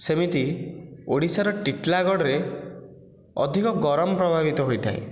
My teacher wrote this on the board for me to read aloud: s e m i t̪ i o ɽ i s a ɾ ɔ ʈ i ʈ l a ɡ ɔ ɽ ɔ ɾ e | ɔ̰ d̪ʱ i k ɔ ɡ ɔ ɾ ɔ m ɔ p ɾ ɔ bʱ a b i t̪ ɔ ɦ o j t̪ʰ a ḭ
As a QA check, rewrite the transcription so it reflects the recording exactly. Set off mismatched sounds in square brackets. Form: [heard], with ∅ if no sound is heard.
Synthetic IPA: s e m i t̪ i o ɽ i s a ɾ ɔ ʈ i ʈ l a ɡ ɔ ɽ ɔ ɾ e | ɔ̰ d̪ʱ i k ɔ ɡ ɔ ɾ ɔ m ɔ p ɾ ɔ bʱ a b i t̪ ɔ ɦ o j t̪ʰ a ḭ

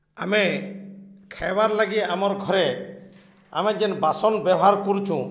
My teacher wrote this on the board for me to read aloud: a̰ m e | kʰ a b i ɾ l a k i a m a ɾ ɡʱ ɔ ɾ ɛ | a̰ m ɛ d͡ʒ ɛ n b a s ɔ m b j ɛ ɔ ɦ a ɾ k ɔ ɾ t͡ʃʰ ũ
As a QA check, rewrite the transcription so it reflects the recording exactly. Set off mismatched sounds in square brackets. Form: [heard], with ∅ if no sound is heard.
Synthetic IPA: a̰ m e | kʰ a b [a] ɾ l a [ɡ] i a m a ɾ ɡʱ ɔ ɾ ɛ | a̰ m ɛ d͡ʒ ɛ n b a s ɔ [n] b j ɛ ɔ ɦ a ɾ k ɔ ɾ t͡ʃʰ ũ

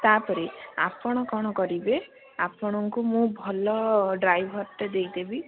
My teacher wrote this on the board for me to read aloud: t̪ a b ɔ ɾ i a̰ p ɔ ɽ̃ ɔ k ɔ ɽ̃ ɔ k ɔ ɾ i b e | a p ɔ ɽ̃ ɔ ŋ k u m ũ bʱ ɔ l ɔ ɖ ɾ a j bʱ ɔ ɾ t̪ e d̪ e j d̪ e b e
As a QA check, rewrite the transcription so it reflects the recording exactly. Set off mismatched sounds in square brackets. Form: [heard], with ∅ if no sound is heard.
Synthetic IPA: t̪ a [p] ɔ ɾ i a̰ p ɔ ɽ̃ ɔ k ɔ ɽ̃ ɔ k ɔ ɾ i b e | a p ɔ ɽ̃ ɔ ŋ k u m ũ bʱ ɔ l ɔ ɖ ɾ a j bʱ ɔ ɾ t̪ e d̪ e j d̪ e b [i]

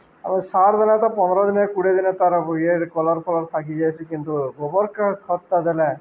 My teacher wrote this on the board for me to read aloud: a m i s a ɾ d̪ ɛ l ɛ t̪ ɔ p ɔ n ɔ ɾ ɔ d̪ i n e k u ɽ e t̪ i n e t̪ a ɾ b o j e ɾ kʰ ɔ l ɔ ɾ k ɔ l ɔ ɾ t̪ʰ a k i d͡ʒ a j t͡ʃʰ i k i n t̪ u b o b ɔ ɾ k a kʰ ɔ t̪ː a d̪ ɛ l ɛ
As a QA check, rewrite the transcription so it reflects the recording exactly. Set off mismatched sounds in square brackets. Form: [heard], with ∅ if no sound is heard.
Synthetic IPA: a m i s a ɾ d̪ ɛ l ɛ t̪ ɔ p ɔ n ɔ ɾ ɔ d̪ i n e k u ɽ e [d̪] i n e t̪ a ɾ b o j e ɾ [k] ɔ l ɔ ɾ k ɔ l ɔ ɾ t̪ʰ a k i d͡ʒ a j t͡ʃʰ i k i n t̪ u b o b ɔ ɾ k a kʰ ɔ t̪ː a d̪ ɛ l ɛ

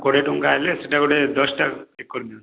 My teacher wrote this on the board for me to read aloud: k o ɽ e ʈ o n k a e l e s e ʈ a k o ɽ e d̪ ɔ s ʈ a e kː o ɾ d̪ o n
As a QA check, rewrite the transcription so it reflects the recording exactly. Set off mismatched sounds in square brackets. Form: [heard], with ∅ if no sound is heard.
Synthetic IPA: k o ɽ e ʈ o [ŋ] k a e l e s e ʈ a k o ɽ e d̪ ɔ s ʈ a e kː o ɾ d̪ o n

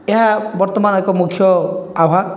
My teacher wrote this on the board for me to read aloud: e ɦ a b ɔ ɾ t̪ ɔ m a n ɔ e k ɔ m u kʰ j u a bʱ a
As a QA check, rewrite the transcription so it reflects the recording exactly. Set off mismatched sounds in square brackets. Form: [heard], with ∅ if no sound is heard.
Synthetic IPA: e ɦ a b ɔ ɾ t̪ ɔ m a n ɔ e k ɔ m u kʰ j [ɔ] a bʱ a

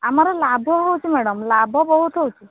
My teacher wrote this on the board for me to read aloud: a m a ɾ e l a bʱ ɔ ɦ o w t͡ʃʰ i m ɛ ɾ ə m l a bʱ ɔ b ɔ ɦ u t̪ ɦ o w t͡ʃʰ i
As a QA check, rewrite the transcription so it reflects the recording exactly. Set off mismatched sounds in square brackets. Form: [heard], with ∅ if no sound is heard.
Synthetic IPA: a m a ɾ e l a bʱ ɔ ɦ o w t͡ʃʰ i m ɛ [ɽ] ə m l a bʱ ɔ b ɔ ɦ u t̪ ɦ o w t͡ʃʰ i

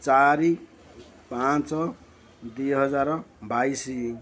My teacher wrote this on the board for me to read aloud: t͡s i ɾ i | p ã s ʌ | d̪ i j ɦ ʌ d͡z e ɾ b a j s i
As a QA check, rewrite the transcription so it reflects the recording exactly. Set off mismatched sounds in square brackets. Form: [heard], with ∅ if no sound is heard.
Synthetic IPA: t͡s [a] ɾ i | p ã [t͡s] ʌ | d̪ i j ɦ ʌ d͡z [a] ɾ b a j s i

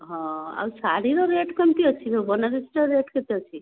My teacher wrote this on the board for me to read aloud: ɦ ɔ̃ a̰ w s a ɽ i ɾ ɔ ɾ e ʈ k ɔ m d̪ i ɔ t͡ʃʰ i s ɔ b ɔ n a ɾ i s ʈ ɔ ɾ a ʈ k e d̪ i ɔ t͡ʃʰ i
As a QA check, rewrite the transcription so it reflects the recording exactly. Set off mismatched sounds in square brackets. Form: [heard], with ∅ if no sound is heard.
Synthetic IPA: ɦ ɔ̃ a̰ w s a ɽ i ɾ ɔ ɾ e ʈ k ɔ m [t̪] i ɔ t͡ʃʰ i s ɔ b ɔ n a ɾ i s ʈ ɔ ɾ [e] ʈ k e [t̪] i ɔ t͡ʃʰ i

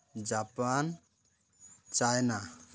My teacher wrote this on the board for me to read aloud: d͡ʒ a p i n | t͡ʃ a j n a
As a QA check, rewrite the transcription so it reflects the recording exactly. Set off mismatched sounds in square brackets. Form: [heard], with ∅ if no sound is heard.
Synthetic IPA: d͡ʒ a p [a] n | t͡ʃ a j n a

